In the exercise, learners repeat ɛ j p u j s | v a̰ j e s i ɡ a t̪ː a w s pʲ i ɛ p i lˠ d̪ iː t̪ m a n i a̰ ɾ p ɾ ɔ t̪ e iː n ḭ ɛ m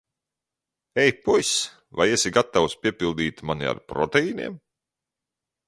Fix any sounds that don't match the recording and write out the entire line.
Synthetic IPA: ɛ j p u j s | v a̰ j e s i ɡ a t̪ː a w s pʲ i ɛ p i lˠ d̪ iː t̪ m a n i a̰ ɾ p ɾ ɔ t̪ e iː n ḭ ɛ m